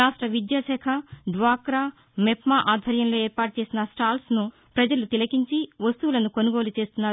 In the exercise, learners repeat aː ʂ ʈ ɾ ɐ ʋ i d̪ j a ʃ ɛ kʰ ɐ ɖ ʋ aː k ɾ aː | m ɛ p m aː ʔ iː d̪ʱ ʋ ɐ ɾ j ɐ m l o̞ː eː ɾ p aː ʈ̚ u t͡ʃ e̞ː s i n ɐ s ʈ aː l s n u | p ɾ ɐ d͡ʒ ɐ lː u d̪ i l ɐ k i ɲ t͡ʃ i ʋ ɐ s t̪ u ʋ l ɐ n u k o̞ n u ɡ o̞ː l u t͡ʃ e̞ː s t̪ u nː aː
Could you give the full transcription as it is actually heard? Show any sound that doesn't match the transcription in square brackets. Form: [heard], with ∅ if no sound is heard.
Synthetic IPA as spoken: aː ʂ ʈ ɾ ɐ ʋ i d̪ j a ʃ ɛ kʰ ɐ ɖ ʋ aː k ɾ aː | m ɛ p m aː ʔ [aː] d̪ʱ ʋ ɐ ɾ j ɐ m l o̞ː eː ɾ p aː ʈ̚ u t͡ʃ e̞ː s i n ɐ s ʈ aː l s n u | p ɾ ɐ d͡ʒ ɐ [l] u [t̪] i l ɐ k i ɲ t͡ʃ i ʋ ɐ s t̪ u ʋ l ɐ n u k o̞ n u ɡ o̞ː l u t͡ʃ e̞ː s t̪ u nː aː